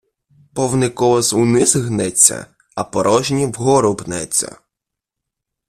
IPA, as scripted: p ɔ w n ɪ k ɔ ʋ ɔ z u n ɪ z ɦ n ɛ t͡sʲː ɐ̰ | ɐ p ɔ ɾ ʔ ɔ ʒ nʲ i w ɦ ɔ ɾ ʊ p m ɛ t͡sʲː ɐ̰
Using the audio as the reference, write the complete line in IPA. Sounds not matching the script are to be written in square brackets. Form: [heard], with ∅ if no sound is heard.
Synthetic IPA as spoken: p ɔ w n ɪ k ɔ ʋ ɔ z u n ɪ z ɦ n ɛ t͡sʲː ɐ̰ | ɐ p ɔ ɾ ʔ ɔ ʒ nʲ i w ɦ ɔ ɾ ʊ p [n] ɛ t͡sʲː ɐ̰

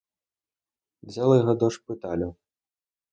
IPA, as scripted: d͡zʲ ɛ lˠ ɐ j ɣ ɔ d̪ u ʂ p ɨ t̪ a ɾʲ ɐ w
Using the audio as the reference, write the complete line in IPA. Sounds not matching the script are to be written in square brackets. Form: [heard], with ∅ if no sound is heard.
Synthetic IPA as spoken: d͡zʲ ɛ lˠ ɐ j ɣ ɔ d̪ [ɔ] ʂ p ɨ t̪ a [lʲ] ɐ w

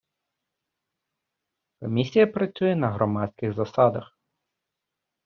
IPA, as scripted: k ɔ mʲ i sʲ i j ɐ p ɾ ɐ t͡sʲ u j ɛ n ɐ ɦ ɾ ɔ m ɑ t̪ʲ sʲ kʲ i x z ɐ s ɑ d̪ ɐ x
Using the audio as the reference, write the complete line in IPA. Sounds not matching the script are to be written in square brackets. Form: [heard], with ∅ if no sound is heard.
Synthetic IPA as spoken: k ɔ mʲ i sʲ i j ɐ p ɾ ɐ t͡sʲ u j ɛ n ɐ ɦ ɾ ɔ m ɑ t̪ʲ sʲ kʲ [ɪ] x z ɐ s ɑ d̪ ɐ x

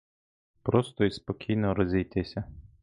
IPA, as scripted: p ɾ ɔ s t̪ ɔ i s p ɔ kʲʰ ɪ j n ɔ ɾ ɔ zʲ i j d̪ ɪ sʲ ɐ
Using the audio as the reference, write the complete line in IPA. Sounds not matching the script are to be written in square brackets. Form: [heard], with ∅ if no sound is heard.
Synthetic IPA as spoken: p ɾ ɔ s t̪ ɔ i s p ɔ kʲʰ [i] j n ɔ ɾ ɔ zʲ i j [t̪] ɪ sʲ ɐ

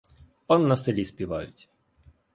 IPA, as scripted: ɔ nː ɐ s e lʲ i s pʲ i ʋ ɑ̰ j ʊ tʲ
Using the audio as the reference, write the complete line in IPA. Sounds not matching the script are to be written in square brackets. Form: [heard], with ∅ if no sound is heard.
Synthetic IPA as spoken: ɔ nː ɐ s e lʲ i s pʲ i ʋ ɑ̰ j ʊ tʲ

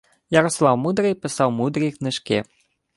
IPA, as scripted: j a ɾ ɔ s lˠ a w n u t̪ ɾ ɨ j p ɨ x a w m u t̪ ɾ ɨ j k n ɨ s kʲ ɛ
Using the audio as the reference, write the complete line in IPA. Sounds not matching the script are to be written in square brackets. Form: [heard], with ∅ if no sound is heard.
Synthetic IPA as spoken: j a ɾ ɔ s lˠ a w [m] u [d̪] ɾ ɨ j p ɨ [s] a w m u [d̪] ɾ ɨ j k n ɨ [ʂ] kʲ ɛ

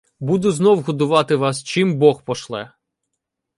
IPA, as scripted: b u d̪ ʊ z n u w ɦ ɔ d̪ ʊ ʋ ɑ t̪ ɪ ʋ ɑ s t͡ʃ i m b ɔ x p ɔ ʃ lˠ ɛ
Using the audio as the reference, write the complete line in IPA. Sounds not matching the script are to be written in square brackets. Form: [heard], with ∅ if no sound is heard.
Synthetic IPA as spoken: b u d̪ ʊ z n [ɔ] w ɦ ɔ d̪ ʊ ʋ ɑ t̪ ɪ ʋ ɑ s t͡ʃ i m b ɔ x p ɔ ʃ lˠ ɛ

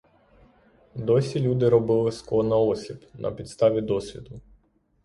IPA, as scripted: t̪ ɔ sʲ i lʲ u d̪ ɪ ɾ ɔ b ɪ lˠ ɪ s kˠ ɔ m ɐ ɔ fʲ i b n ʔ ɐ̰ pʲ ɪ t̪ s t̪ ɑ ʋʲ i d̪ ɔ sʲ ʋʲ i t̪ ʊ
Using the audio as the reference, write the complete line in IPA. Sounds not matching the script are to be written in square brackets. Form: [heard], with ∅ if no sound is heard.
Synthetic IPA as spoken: [d̪] ɔ sʲ i lʲ u d̪ ɪ ɾ ɔ b ɪ lˠ ɪ s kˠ ɔ [n] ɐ ɔ [sʲ] i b n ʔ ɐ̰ pʲ [i] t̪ s t̪ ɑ ʋʲ i d̪ ɔ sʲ ʋʲ i [d̪] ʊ

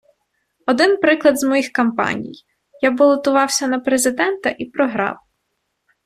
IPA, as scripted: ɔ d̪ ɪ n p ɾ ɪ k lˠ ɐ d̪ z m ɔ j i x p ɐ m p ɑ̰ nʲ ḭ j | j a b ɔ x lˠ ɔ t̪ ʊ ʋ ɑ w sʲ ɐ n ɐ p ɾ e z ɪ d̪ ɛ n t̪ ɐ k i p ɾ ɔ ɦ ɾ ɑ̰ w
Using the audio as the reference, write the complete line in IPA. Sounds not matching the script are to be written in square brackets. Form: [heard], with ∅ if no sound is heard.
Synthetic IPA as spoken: ɔ d̪ ɪ n p ɾ ɪ k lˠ ɐ d̪ z m ɔ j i x [k] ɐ m p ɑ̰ nʲ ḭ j | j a b ɔ [∅] lˠ ɔ t̪ ʊ ʋ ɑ w sʲ ɐ n ɐ p ɾ e z ɪ d̪ ɛ n t̪ ɐ [ʔ] i p ɾ ɔ ɦ ɾ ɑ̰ w

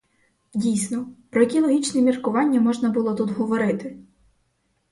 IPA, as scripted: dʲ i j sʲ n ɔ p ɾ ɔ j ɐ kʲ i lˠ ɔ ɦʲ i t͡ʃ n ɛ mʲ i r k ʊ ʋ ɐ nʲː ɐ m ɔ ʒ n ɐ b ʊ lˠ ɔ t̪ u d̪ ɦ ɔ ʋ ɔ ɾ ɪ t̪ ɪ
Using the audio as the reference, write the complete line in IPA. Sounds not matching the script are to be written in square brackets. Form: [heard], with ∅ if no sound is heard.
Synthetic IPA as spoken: dʲ i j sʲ n ɔ p ɾ ɔ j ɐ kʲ i lˠ ɔ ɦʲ i t͡ʃ n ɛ mʲ i r k ʊ ʋ [ɑ] nʲː ɐ m ɔ ʒ n ɐ b ʊ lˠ ɔ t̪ u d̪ ɦ ɔ ʋ ɔ ɾ ɪ t̪ ɪ

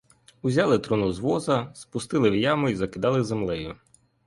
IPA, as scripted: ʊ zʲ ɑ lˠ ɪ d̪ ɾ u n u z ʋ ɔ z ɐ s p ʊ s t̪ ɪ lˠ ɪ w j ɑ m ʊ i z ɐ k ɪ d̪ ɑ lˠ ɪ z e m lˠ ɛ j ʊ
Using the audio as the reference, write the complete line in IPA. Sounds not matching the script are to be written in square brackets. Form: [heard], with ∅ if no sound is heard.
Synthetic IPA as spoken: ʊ zʲ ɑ lˠ ɪ [t̪] ɾ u n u z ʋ ɔ z ɐ s p ʊ s t̪ ɪ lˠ ɪ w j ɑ m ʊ i z ɐ k ɪ d̪ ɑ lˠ ɪ z e m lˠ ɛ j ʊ

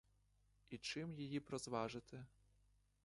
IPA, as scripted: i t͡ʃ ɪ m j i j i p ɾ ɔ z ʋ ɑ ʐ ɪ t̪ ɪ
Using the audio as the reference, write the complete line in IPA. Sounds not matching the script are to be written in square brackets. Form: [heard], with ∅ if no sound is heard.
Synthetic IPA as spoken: i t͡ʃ ɪ m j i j i p ɾ ɔ z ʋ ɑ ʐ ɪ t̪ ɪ

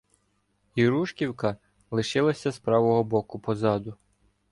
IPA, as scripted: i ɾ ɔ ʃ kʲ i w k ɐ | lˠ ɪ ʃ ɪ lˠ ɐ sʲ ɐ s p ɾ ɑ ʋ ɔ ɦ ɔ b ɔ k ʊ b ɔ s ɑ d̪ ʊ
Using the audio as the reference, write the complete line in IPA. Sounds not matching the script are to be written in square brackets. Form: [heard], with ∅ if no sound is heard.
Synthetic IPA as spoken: i ɾ [u] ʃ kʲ i w k ɐ | lˠ ɪ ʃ ɪ lˠ ɐ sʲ ɐ s p ɾ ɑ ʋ ɔ ɦ ɔ b ɔ k ʊ [p] ɔ [z] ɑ d̪ ʊ

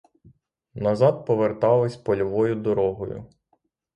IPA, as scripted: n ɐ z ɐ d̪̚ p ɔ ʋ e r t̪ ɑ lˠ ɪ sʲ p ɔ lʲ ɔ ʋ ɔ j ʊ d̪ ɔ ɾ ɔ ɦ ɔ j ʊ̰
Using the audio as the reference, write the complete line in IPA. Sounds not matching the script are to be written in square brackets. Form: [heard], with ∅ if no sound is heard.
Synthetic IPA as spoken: n ɐ z [ɑ] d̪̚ p ɔ ʋ e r t̪ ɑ lˠ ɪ sʲ p ɔ lʲ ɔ ʋ ɔ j ʊ d̪ ɔ ɾ ɔ ɦ ɔ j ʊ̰

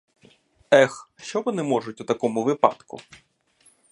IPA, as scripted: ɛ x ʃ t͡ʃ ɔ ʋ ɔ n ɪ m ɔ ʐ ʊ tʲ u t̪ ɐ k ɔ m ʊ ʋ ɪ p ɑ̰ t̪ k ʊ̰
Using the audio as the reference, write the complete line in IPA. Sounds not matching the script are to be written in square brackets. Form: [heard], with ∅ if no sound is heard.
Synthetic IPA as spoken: ɛ x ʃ t͡ʃ ɔ ʋ ɔ n ɪ m ɔ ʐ ʊ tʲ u t̪ ɐ k ɔ m ʊ ʋ ɪ p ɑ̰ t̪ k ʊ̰

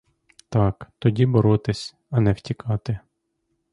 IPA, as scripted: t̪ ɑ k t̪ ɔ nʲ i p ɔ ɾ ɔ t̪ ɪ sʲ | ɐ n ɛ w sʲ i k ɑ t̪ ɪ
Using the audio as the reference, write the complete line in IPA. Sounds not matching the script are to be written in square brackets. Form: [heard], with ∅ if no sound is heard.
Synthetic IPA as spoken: t̪ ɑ k t̪ ɔ [dʲ] i [b] ɔ ɾ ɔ t̪ ɪ sʲ | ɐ n ɛ w [tʲ] i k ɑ t̪ ɪ

